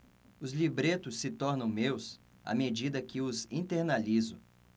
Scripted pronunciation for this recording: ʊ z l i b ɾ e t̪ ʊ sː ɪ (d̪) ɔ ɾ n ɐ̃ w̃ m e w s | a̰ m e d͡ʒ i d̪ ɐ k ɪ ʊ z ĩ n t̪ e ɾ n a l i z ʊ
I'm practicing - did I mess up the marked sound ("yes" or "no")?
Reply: yes